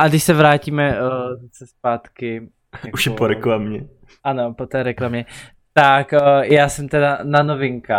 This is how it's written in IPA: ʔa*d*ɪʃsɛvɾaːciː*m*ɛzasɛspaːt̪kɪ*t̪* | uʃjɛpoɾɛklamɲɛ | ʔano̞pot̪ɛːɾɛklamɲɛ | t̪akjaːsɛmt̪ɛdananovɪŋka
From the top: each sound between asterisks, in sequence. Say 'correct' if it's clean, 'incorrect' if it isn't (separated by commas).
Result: correct, correct, incorrect